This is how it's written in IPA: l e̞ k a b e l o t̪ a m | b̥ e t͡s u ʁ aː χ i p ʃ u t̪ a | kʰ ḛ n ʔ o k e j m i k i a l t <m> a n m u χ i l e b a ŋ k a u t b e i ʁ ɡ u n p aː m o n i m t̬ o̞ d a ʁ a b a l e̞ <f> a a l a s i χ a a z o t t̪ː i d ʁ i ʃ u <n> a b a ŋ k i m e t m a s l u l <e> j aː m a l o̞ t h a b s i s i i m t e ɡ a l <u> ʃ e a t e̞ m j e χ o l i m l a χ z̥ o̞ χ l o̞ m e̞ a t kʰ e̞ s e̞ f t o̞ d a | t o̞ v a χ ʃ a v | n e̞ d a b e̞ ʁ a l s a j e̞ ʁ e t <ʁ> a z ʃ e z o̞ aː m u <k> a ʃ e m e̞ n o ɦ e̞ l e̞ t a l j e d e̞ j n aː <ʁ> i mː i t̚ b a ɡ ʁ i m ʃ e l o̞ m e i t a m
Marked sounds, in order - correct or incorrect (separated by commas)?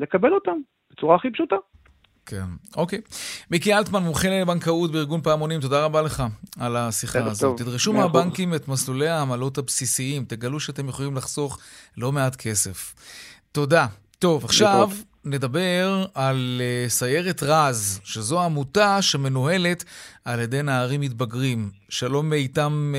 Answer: correct, incorrect, incorrect, correct, correct, correct, incorrect, correct